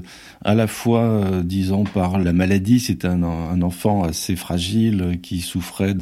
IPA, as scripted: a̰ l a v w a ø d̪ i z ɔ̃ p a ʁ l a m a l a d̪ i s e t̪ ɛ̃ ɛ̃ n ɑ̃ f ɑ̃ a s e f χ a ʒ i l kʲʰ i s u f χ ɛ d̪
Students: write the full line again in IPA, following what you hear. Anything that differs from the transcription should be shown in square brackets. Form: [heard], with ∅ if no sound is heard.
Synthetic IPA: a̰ l a [f] w a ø d̪ i z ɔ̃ p a ʁ l a m a l a d̪ i s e t̪ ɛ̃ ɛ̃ n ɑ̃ f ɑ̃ a s e f χ a ʒ i l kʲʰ i s u f χ ɛ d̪